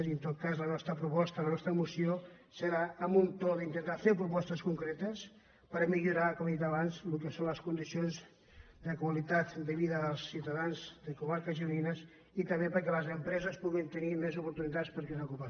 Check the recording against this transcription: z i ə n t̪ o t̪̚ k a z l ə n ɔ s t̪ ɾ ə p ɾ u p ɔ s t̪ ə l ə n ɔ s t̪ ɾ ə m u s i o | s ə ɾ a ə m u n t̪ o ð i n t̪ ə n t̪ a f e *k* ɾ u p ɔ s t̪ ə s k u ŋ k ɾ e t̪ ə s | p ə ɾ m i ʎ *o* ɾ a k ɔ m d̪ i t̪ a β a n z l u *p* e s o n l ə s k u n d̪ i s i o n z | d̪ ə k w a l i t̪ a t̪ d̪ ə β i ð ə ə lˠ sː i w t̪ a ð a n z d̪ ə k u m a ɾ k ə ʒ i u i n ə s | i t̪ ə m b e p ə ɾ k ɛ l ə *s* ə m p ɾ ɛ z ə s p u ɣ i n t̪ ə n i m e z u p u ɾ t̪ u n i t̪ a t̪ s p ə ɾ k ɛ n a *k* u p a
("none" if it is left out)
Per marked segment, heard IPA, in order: p, u, k, z, k

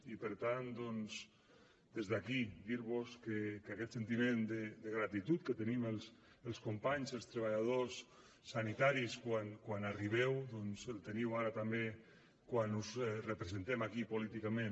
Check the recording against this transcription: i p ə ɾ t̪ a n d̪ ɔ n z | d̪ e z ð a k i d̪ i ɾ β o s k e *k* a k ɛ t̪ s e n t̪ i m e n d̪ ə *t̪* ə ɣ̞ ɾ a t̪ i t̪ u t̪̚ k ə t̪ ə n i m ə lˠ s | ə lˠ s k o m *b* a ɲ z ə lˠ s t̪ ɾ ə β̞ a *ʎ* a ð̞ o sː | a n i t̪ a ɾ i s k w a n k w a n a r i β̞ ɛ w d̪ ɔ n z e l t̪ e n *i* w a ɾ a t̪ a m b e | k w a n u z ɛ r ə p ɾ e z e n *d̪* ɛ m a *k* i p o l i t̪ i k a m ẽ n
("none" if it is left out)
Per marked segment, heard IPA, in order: k, d̪, p, ʎ, i, t̪, k

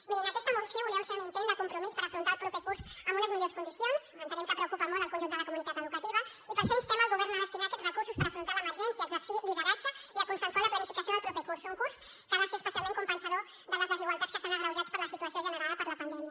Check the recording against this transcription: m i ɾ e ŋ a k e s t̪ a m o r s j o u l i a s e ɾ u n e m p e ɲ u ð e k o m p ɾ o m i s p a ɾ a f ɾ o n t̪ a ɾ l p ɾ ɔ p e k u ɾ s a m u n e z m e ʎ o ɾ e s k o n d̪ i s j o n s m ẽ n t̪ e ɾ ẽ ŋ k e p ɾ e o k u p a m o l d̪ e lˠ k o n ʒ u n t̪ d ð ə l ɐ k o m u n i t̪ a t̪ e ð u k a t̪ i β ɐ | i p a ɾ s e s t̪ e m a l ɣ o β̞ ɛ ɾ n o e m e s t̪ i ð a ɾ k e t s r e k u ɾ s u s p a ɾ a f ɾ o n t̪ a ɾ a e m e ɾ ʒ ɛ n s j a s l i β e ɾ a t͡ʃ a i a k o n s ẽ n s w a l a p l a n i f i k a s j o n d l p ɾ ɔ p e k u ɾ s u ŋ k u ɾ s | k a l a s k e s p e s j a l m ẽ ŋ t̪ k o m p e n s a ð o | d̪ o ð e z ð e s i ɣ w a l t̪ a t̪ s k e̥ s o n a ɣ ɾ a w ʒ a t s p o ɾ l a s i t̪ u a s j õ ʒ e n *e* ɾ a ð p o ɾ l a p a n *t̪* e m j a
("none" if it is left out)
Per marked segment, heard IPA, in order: e, d̪

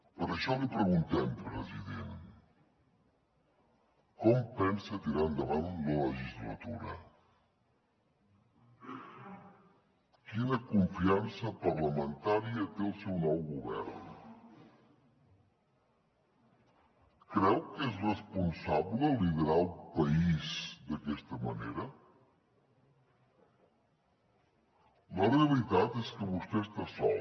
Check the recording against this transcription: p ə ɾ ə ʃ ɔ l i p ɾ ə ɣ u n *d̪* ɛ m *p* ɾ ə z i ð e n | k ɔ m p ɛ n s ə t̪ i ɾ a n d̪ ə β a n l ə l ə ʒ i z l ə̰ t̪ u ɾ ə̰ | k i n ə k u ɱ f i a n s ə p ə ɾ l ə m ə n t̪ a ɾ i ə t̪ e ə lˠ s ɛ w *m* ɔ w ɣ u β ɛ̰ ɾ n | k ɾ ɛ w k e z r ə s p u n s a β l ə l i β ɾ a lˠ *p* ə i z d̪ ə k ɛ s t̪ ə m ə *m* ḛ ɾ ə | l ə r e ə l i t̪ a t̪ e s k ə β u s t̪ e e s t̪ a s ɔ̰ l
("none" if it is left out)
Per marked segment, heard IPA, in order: t̪, p, n, p, n

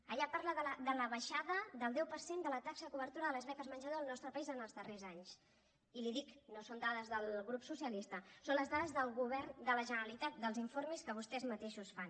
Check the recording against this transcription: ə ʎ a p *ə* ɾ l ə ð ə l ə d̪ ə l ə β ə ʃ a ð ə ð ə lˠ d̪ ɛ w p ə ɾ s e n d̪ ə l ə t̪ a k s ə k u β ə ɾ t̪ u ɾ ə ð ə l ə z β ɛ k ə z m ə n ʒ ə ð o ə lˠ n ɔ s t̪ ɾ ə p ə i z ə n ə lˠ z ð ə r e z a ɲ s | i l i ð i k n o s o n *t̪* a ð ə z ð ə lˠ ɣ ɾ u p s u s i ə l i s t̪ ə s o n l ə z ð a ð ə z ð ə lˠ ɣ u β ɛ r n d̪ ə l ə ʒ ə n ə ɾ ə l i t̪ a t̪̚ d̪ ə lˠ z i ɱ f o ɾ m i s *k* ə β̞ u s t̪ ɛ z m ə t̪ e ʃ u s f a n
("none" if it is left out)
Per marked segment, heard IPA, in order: a, d̪, k

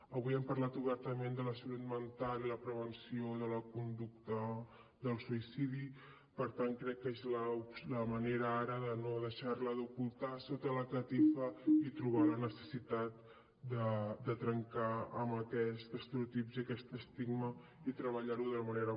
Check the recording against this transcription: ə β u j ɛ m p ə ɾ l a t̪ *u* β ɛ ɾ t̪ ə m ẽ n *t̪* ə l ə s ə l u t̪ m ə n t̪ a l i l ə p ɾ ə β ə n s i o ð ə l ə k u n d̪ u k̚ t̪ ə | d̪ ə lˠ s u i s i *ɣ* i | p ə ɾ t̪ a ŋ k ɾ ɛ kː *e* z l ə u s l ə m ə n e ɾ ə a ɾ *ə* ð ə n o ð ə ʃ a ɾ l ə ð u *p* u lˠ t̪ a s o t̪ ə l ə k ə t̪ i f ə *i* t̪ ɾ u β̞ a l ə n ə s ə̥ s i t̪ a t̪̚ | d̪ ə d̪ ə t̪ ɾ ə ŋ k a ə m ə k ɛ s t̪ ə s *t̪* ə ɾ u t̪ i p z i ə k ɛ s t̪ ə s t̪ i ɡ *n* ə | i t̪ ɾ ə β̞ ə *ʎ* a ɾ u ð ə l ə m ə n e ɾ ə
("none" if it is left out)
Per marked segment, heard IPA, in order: u, d̪, ð, e, ə, k, i, t̪, m, ʎ

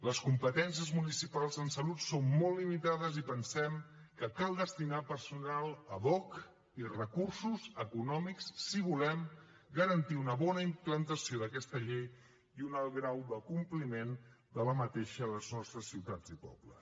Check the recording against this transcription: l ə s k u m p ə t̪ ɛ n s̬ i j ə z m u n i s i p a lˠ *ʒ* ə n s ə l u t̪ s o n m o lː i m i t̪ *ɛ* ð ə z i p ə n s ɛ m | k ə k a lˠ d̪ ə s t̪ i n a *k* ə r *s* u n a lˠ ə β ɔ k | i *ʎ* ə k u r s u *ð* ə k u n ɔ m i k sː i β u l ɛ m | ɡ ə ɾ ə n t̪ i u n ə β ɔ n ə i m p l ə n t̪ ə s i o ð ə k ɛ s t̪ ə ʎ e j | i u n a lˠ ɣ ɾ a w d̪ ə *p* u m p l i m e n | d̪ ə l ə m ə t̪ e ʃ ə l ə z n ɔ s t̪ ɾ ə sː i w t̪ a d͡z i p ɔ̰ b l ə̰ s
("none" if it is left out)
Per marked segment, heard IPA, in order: z, a, p, s, r, z, k

